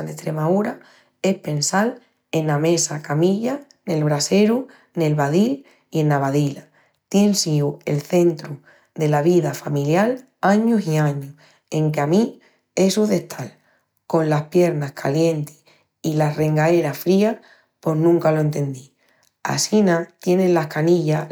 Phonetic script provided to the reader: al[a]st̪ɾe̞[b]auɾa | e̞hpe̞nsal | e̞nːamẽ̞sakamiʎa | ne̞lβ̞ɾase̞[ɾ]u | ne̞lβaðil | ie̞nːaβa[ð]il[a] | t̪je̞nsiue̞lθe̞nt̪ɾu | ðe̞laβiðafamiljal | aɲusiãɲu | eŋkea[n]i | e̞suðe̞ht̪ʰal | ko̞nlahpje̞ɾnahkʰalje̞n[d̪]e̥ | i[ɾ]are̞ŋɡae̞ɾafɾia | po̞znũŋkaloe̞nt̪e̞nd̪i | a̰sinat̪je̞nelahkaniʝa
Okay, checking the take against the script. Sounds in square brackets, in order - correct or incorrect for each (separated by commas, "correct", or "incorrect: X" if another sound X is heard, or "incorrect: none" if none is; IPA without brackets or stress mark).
incorrect: e, incorrect: m, correct, correct, correct, incorrect: m, incorrect: t̪, incorrect: l